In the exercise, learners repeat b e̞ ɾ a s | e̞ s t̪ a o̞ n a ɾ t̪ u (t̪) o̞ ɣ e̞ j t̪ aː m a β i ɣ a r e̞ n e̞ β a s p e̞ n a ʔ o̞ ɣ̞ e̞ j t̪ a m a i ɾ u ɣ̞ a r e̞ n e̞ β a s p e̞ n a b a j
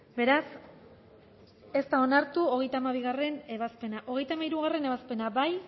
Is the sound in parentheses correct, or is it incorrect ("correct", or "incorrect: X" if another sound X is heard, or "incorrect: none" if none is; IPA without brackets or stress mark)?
incorrect: none